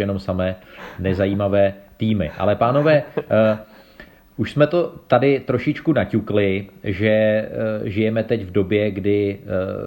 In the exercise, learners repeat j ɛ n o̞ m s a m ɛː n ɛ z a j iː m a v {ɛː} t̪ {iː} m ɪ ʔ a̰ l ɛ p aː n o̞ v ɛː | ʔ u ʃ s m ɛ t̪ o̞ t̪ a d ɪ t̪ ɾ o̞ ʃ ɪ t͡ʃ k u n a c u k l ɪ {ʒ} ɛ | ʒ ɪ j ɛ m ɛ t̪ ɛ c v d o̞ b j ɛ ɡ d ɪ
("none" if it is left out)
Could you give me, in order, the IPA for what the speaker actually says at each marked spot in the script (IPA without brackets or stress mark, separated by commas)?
ɛː, iː, ʒ